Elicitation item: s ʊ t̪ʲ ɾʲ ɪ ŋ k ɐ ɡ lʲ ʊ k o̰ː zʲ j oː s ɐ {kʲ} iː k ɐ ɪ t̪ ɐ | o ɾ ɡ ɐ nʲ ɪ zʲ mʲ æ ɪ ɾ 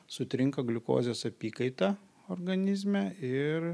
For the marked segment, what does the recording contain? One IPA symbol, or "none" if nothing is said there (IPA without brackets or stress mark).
pʲ